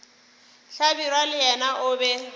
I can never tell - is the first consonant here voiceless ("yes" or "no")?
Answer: yes